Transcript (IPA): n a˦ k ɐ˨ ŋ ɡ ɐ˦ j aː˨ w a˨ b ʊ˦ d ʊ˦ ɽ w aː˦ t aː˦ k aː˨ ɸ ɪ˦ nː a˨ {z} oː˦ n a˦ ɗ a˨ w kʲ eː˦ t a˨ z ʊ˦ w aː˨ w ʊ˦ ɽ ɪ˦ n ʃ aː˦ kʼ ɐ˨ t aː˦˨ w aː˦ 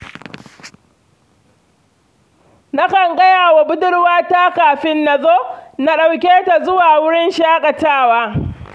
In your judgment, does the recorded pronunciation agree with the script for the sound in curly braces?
yes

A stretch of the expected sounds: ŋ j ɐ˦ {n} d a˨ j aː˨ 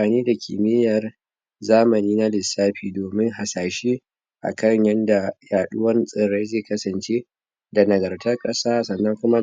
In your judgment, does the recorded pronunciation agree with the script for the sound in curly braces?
yes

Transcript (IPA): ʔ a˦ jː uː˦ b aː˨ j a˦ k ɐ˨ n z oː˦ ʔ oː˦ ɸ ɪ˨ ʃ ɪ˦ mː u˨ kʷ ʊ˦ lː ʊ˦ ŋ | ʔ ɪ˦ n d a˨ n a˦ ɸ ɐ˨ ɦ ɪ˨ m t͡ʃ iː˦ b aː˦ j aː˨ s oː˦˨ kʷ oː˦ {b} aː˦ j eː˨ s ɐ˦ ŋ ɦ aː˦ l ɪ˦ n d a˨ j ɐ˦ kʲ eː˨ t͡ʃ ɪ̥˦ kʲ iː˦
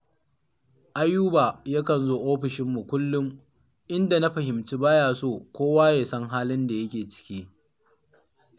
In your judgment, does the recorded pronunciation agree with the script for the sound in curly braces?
no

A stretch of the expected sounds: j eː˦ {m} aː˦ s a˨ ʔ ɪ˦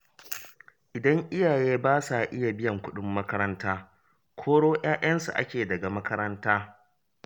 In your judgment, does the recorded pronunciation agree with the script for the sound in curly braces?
no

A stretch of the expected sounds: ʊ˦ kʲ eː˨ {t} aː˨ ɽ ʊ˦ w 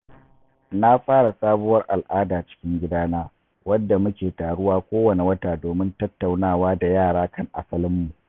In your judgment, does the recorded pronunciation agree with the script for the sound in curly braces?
yes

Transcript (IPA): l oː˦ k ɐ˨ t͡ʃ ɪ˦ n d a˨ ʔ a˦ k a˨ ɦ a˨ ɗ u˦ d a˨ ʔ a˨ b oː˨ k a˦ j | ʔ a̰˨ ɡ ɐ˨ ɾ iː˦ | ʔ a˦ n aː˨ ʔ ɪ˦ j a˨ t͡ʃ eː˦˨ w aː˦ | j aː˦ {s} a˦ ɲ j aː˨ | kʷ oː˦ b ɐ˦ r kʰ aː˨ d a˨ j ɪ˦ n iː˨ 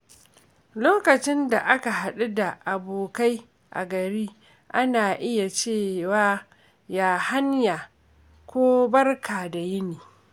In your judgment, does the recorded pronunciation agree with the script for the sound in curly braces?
no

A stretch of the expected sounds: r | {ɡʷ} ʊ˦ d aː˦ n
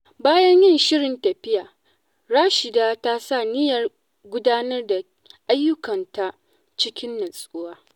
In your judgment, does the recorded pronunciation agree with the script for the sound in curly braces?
yes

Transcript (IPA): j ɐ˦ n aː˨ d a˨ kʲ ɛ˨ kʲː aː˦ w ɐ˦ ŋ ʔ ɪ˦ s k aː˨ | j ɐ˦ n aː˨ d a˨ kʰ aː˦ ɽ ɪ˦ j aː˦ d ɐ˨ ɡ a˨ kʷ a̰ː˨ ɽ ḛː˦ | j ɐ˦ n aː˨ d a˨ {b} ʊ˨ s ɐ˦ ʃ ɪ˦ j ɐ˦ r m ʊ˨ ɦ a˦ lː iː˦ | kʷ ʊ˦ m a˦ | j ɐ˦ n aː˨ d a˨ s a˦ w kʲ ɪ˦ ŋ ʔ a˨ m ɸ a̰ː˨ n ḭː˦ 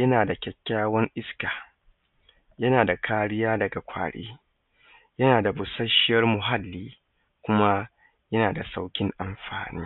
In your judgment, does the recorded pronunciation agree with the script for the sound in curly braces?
yes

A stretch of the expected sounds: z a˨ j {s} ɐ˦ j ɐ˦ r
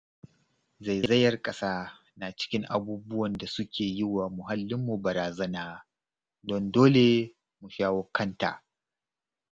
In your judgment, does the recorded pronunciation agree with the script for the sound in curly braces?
no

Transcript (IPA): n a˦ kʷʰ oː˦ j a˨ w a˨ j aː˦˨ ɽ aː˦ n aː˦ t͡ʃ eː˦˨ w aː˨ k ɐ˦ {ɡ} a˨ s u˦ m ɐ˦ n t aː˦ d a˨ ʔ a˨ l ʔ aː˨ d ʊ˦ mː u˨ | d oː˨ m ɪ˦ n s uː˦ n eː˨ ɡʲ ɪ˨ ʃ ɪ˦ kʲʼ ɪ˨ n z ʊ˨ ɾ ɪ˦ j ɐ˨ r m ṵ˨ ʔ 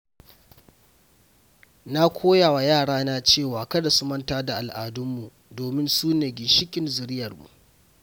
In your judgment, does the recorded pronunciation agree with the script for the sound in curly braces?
no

